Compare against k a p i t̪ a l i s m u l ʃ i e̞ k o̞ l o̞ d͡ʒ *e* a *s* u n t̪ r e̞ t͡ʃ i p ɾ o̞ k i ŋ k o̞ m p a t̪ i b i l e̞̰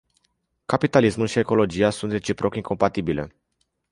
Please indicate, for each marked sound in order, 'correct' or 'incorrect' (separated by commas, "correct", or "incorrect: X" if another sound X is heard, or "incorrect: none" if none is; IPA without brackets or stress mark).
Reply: incorrect: i, correct